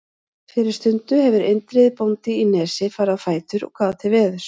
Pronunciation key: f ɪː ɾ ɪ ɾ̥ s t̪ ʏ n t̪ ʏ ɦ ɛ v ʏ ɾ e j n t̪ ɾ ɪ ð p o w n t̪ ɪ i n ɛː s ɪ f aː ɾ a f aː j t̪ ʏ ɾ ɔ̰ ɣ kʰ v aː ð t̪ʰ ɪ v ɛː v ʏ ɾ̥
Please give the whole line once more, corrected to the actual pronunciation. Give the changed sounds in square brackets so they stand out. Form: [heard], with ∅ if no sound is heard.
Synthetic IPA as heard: f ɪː ɾ ɪ ɾ̥ s t̪ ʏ n t̪ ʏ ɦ ɛ v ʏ ɾ e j n t̪ ɾ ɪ ð p o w n t̪ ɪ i n ɛː s ɪ f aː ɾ a f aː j t̪ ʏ ɾ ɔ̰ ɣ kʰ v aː ð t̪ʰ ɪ v ɛː [ð] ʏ ɾ̥